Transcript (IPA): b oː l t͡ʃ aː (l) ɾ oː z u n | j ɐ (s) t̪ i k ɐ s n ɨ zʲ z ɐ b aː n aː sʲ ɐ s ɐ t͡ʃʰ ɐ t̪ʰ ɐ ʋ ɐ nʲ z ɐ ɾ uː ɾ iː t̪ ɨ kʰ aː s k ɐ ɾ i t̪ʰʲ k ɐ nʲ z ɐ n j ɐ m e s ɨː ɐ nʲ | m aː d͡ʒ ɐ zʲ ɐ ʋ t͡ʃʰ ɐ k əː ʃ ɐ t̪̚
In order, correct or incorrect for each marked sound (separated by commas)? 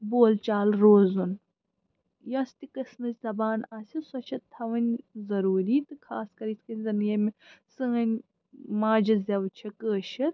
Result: correct, correct